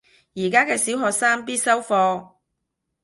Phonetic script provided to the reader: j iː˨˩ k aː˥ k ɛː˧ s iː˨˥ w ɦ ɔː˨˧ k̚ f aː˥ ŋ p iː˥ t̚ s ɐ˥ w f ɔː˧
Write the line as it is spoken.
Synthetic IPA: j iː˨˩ k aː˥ k ɛː˧ s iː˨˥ w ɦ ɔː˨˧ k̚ s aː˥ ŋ p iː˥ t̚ s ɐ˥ w f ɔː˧